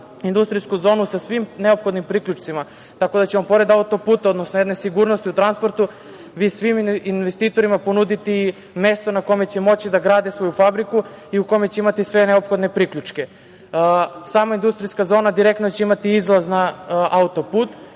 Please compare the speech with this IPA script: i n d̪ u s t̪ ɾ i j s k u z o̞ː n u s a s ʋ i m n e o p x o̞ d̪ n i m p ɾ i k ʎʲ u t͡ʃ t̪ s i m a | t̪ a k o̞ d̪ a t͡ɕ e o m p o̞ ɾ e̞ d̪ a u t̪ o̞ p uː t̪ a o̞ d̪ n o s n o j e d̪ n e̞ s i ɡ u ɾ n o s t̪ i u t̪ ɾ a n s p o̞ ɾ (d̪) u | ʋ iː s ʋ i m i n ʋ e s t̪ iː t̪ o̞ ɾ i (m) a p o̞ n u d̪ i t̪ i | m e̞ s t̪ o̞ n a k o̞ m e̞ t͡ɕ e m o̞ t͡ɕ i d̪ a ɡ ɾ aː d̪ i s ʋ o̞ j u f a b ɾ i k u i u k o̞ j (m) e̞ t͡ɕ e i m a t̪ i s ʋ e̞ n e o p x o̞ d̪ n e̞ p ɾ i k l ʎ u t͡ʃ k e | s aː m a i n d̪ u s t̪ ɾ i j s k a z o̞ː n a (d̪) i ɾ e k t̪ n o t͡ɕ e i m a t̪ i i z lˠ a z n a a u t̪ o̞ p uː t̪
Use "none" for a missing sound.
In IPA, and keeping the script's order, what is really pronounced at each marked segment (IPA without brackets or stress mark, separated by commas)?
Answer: t̪, m, m, d̪